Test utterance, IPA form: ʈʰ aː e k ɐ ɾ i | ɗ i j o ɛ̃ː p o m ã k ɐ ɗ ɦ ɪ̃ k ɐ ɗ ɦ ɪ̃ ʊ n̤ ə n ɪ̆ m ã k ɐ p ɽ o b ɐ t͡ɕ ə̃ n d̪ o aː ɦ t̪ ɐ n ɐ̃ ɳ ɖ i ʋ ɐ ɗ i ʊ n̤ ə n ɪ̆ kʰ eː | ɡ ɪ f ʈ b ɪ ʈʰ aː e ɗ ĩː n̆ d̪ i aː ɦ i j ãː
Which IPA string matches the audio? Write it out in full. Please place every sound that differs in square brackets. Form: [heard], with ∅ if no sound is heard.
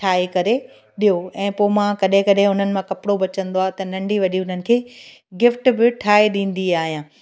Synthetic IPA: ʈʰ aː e k ɐ ɾ [e] | ɗ i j o ɛ̃ː p o m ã k ɐ ɗ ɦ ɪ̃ k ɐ ɗ ɦ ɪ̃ ʊ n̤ ə n ɪ̆ m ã k ɐ p ɽ o b ɐ t͡ɕ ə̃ n d̪ o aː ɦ t̪ ɐ n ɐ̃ ɳ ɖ i ʋ ɐ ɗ i ʊ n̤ ə n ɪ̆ kʰ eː | ɡ ɪ f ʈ b ɪ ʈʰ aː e ɗ ĩː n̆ d̪ i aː ɦ i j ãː